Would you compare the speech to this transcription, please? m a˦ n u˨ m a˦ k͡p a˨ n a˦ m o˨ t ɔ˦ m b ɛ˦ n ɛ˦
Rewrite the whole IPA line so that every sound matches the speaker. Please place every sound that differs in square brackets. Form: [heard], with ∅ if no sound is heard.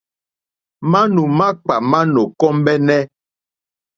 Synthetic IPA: m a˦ n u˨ m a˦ k͡p a˨ [m] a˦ [n] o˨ [k] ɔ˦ m b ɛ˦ n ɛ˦

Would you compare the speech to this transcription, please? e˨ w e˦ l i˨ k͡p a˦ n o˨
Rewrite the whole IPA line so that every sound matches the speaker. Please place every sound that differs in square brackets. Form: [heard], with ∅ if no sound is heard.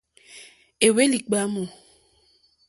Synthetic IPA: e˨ w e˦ l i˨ k͡p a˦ [m] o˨

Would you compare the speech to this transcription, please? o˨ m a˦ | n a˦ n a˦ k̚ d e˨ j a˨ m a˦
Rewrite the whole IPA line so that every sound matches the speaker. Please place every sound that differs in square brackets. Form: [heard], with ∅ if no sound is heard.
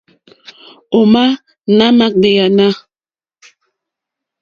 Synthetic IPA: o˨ m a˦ | n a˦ [m] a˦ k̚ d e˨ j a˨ [n] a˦

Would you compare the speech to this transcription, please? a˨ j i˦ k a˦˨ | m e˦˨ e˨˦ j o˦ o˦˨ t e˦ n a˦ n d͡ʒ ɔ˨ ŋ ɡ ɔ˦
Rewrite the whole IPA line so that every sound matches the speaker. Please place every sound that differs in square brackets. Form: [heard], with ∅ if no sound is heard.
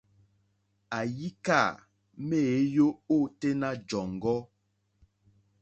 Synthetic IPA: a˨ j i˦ k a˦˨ | m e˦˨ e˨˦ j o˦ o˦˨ t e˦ n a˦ [∅] d͡ʒ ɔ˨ ŋ ɡ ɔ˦

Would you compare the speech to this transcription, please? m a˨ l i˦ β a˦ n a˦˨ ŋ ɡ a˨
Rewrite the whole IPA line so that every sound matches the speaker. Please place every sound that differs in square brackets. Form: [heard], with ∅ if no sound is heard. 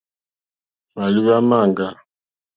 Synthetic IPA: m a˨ l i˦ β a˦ [m] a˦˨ ŋ ɡ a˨

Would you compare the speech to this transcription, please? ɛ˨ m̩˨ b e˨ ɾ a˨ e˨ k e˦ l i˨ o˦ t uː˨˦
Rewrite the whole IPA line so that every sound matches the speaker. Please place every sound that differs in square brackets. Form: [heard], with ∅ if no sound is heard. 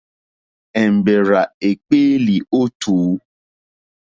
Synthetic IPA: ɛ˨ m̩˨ b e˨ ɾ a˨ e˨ [k͡p] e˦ l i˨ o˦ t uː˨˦

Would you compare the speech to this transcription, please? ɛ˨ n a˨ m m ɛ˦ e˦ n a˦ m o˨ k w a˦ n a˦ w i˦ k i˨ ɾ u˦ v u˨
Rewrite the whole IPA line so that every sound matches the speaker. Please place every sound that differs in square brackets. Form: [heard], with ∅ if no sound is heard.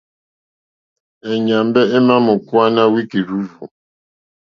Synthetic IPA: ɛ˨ [ɲ] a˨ m [b] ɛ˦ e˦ [m] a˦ m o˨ k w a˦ n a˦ w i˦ k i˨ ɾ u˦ v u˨

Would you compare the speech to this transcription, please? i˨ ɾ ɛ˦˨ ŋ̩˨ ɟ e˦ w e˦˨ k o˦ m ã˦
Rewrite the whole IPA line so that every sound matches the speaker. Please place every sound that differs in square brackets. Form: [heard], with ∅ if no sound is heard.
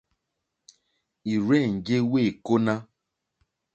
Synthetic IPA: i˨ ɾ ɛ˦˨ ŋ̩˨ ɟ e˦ w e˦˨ k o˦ [n] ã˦

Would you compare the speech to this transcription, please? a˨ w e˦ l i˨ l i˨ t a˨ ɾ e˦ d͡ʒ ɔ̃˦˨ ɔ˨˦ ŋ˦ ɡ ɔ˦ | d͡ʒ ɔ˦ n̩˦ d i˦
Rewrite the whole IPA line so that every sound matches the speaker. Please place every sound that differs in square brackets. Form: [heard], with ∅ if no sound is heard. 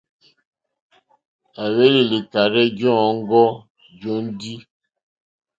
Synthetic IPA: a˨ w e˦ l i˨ l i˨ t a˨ ɾ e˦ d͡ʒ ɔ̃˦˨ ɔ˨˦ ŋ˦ ɡ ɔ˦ | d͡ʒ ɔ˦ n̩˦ d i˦

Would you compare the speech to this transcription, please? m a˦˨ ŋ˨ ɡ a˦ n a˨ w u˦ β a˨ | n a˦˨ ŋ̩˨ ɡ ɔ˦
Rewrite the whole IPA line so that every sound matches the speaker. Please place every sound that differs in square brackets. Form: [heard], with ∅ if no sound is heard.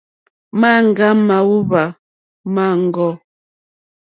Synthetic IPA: m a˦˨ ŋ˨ ɡ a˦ [m] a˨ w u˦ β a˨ | [m] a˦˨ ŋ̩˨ ɡ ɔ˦

